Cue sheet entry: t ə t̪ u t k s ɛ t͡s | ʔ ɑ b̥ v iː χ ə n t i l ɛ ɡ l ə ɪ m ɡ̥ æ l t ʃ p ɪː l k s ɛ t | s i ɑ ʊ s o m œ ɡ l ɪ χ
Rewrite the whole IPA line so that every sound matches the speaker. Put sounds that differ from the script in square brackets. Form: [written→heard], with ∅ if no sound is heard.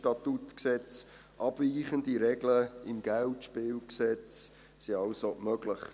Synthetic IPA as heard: t [ə→ɑ] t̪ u t k s ɛ t͡s | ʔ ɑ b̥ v iː χ ə n [t→d] i [l→ɾ] ɛ ɡ l ə ɪ m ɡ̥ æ l t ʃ p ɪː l k s ɛ [t→t͡s] | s i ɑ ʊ s o m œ ɡ l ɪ χ